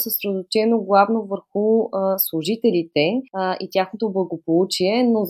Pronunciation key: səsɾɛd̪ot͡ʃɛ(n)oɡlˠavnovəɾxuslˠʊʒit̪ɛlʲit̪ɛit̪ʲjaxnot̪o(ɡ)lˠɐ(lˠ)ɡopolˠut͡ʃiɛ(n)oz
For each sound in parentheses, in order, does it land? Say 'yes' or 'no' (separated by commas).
yes, no, no, yes